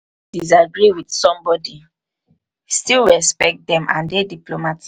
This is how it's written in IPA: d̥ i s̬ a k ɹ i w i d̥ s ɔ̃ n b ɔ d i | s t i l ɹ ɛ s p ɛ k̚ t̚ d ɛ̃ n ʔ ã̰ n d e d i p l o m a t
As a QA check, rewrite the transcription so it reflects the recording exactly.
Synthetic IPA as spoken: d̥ i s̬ a ɡ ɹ i w i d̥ s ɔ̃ m b ɔ d i | s t i l ɹ ɛ s p ɛ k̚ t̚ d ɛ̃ m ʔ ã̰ n d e d i p l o m a t

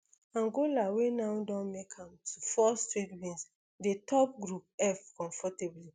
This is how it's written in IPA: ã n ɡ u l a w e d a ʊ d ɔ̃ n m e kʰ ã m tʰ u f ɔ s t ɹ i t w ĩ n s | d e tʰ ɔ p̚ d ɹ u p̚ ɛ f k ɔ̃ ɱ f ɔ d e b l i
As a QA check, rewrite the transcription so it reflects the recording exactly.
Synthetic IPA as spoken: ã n ɡ o l a w e n a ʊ d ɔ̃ n m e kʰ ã m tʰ u f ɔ s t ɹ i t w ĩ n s | d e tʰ ɔ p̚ ɡ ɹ u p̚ ɛ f k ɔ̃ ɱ f ɔ t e b l i

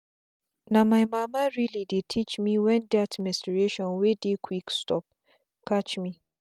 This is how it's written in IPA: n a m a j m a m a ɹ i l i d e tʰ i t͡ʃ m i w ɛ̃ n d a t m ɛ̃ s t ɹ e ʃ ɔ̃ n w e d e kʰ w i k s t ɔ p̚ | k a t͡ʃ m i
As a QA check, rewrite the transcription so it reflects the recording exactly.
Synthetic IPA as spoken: n a m a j m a m a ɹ i l i d e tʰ i t͡ʃ m i w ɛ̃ n d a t m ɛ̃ s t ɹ e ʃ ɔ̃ n w e d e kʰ w i k s t ɔ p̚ | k a t͡ʃ m i

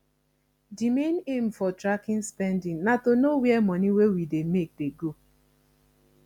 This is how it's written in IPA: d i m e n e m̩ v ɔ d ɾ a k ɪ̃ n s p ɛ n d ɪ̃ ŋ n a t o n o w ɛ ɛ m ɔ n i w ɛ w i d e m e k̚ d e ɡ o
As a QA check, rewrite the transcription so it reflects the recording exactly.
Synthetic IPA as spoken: d i m e n e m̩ f ɔ t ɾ a k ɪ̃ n s p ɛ n d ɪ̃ ŋ n a t o n o w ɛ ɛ m ɔ n i w e w i d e m e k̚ d e ɡ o

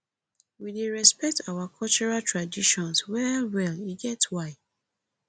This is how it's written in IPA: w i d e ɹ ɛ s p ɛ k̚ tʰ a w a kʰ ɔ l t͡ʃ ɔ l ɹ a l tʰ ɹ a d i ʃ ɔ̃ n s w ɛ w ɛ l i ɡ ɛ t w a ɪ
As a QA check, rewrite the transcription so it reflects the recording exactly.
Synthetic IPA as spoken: w i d e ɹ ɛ s p ɛ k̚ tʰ a w a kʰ ɔ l t͡ʃ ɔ ɹ a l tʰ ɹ a d i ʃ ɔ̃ n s w ɛ w ɛ l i ɡ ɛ t w a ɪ

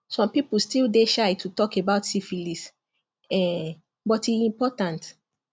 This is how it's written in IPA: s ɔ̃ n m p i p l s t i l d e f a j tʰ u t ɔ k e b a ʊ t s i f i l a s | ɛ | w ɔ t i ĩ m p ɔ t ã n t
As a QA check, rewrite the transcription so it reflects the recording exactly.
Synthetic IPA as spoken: s ɔ̃ m p i p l s t i l d e ʃ a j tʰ u t ɔ k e b a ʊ t s i f i l i s | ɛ | b ɔ t i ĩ m p ɔ t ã n t

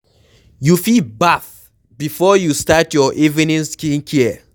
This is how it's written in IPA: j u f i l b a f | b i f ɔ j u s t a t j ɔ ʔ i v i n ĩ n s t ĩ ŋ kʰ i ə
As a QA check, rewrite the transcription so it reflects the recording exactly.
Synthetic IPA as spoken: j u f i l b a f | b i f ɔ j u s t a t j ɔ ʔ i v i n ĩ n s k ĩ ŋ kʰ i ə

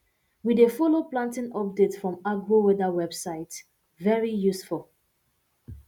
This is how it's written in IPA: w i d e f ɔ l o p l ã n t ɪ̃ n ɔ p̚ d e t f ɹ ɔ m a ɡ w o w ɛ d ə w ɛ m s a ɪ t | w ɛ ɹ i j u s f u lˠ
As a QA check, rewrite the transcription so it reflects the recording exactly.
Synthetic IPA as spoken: w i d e f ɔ l o p l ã n t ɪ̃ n ɔ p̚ d e t f ɹ ɔ̃ m a ɡ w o w ɛ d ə w ɛ b s a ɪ t | v ɛ ɹ i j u s f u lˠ

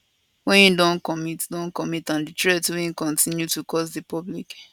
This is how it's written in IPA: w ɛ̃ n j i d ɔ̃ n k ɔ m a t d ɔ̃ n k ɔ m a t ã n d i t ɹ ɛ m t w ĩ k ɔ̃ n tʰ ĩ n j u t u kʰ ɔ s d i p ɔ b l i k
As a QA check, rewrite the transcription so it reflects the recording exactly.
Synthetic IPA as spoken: w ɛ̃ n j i d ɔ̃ n k ɔ m i t d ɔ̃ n k ɔ m i t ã n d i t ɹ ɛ t w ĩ k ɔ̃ n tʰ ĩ n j u t u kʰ ɔ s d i p ɔ b l i k

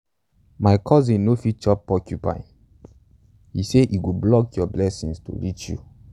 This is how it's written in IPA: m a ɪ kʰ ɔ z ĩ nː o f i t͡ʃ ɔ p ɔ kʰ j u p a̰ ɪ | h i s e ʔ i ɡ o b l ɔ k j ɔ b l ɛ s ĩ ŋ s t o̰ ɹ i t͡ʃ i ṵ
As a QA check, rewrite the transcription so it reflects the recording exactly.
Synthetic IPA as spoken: m a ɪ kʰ ɔ z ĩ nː o f i t͡ʃ ɔ p ɔ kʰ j u p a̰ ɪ | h i s e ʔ i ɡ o b l ɔ k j ɔ b l ɛ s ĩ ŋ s t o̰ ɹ i t͡ʃ j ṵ

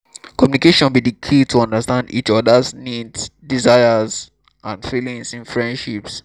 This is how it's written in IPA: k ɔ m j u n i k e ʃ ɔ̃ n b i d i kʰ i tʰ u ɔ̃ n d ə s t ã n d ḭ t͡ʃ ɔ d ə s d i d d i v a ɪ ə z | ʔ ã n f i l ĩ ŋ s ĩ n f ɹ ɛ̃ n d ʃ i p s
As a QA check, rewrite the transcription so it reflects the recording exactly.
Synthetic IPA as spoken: k ɔ m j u n i k e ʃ ɔ̃ n b i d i kʰ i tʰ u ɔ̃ n d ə s t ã n d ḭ t͡ʃ ɔ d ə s n i d d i z a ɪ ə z | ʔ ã n f i l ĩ ŋ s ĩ n f ɹ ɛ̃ n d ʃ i p s

